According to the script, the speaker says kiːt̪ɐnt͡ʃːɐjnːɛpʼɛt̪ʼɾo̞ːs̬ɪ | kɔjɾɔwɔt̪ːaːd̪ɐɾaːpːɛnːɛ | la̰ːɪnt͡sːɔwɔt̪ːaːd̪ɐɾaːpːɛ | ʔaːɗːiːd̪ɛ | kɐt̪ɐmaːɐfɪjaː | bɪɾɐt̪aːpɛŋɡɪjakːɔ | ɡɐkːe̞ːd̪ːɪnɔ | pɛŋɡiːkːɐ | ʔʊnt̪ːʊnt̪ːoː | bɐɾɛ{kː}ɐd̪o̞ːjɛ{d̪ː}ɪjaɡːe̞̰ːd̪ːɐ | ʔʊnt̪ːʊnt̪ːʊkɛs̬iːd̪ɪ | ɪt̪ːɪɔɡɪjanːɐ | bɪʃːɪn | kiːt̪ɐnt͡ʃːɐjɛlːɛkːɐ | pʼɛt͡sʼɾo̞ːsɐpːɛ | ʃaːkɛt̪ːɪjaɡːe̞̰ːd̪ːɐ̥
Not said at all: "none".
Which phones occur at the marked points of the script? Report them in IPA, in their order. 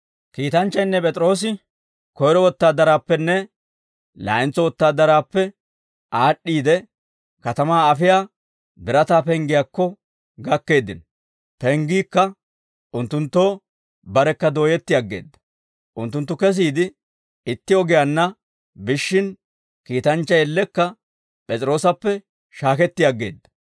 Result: kː, t̪ː

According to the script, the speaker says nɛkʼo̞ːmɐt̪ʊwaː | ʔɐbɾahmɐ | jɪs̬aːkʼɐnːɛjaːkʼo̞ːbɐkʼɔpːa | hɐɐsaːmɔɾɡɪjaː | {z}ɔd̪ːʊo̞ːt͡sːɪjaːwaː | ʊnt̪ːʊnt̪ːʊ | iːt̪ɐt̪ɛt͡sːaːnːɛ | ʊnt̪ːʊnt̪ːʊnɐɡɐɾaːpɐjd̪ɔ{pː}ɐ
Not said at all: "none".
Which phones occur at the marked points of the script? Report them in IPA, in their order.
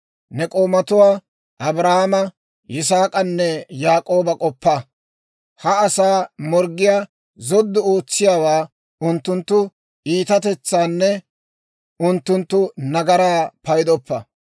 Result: z, pː

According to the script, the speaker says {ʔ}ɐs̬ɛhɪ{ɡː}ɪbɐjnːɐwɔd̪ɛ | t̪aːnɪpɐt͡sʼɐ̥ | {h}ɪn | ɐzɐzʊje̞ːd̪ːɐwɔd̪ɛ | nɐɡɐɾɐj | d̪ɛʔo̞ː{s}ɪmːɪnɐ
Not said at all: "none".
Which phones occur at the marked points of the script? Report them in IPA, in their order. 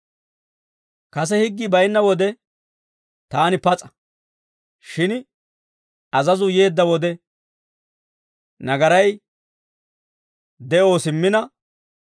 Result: k, ɡː, ʃ, s

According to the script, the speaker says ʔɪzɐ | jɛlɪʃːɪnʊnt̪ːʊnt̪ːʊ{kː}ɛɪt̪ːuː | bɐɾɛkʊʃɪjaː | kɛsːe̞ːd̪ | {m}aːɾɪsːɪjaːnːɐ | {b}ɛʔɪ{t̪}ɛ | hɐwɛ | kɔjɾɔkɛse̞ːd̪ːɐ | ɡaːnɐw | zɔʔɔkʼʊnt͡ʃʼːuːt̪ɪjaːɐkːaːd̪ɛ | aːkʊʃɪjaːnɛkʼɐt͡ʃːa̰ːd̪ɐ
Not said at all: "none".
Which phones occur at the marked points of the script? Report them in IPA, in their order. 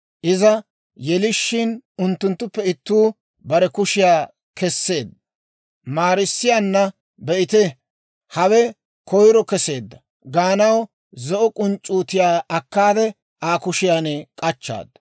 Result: pː, m, b, t̪

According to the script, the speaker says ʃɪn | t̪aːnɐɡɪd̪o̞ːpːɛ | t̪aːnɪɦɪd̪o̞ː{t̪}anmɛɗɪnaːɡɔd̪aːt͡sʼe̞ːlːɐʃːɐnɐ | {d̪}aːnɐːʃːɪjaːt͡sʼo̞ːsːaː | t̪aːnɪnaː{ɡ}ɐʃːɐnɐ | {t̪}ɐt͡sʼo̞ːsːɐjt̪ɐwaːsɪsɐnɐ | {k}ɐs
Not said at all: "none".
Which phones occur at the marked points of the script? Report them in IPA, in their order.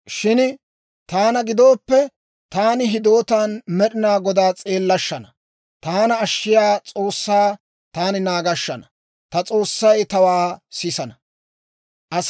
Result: t̪, t̪, ɡ, t̪, ʔ

